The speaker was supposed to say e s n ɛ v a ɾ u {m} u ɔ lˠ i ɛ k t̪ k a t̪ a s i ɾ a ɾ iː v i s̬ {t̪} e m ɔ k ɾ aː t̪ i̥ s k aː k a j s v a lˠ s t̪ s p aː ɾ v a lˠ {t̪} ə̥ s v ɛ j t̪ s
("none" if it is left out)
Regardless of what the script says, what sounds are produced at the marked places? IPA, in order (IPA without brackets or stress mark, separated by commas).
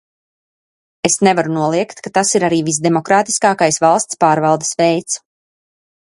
n, d̪, d̪